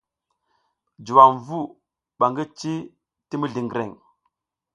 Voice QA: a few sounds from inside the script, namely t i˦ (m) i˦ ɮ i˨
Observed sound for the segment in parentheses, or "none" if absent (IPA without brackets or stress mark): m